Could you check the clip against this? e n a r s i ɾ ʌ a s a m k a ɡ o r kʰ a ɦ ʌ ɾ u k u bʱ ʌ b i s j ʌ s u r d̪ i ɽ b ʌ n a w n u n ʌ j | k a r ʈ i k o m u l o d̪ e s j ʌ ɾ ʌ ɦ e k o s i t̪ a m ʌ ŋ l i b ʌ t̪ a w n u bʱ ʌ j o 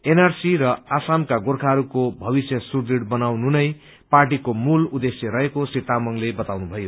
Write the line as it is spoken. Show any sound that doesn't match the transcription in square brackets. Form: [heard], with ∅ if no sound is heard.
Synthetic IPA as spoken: e n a r s i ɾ ʌ a s a m k a ɡ o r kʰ a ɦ ʌ ɾ u k [o] bʱ ʌ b i s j ʌ s u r d̪ i ɽ b ʌ n a w n u n ʌ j | [p] a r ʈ i k o m u l [u] d̪ e s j ʌ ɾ ʌ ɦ e k o s i t̪ a m ʌ ŋ l [e] b ʌ t̪ a w n u bʱ ʌ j o